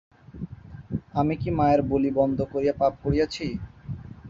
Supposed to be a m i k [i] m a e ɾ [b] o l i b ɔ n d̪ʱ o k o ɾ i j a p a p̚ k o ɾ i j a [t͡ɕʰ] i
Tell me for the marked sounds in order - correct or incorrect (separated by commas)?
correct, correct, correct